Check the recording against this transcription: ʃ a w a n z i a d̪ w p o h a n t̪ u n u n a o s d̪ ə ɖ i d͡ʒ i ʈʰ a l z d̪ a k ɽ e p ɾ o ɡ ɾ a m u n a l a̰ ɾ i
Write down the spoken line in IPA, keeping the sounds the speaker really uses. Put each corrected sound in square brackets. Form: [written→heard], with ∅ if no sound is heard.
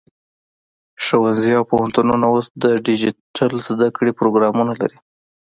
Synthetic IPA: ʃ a w a n z i a [d̪→∅] w p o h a n t̪ u n u n a o s d̪ ə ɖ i d͡ʒ i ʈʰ a l z d̪ a k ɽ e p ɾ o ɡ ɾ [a→ɑ] m u n a l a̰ ɾ i

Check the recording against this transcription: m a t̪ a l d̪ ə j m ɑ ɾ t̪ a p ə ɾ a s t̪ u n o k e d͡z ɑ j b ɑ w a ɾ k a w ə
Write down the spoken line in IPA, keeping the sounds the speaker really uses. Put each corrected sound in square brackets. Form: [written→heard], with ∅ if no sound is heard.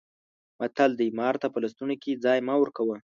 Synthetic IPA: m a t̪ a l d̪ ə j m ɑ ɾ t̪ a p ə [ɾ→l] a s t̪ u n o k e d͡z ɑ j [b→m] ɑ w [a→ə] ɾ k a w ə

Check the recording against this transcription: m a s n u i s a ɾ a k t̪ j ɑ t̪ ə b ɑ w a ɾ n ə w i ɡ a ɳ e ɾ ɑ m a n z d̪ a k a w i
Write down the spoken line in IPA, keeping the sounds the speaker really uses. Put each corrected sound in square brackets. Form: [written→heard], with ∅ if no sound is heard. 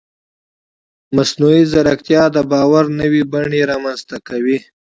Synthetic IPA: m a s n u i [s→z] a ɾ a k t̪ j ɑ [t̪→d̪] ə b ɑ w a ɾ n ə w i [ɡ→b] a ɳ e ɾ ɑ m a n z [d̪→t̪] a k a w i

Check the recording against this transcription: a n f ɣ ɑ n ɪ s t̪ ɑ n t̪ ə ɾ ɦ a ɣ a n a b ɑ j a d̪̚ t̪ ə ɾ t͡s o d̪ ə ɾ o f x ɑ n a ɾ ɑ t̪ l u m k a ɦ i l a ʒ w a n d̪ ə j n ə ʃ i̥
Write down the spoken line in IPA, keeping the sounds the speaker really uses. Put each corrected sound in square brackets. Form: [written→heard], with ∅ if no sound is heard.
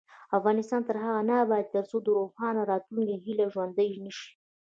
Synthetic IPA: a [n→∅] f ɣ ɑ n ɪ s t̪ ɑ n t̪ ə ɾ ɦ a ɣ a n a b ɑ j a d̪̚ t̪ ə ɾ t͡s o d̪ ə ɾ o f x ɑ n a ɾ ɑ t̪ l u [m→ŋ] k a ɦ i l a ʒ w a n d̪ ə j n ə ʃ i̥

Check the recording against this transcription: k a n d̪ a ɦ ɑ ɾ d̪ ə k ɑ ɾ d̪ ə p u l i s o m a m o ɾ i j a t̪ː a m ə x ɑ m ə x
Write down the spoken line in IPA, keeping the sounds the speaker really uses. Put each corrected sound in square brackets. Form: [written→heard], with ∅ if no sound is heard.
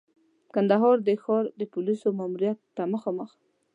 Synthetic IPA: k a n d̪ a ɦ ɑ ɾ d̪ ə [k→x] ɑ ɾ d̪ ə p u l i s o m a m [o→u] ɾ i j a t̪ː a m ə x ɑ m ə x

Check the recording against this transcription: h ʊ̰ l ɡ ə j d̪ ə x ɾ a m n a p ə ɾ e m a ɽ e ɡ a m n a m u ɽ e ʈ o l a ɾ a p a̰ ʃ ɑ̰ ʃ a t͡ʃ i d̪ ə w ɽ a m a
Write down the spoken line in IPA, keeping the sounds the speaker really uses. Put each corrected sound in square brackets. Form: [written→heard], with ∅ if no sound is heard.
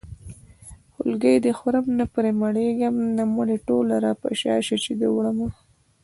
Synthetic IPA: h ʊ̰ l ɡ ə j d̪ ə x ɾ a m n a p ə ɾ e m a ɽ e ɡ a m n a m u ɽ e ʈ o l a ɾ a p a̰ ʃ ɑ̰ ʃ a t͡ʃ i d̪ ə w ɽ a m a

